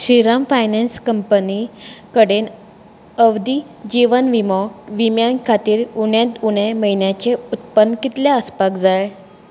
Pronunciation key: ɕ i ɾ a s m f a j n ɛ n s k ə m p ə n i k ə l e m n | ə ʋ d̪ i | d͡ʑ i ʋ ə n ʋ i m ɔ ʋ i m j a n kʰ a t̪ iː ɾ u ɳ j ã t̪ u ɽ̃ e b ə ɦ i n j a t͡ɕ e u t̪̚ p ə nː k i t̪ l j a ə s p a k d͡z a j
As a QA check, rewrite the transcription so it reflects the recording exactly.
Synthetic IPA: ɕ i ɾ a m f a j n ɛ n s k ə m p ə n i k ə ɽ e n | ə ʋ d̪ i | d͡ʑ i ʋ ə n ʋ i m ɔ ʋ i m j a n kʰ a t̪ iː ɾ u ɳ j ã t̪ u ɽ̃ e m ə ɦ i n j a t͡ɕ e u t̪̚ p ə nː k i t̪ l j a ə s p a k d͡z a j